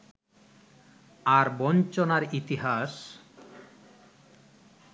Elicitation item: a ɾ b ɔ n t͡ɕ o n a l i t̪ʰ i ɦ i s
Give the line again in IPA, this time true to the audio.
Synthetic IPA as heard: a ɾ b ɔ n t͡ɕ o n a ɾ i t̪ i ɦ a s